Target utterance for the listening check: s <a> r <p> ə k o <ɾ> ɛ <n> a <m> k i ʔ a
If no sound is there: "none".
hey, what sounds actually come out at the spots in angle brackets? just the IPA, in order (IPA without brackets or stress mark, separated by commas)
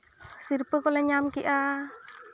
i, p, l, ɲ, m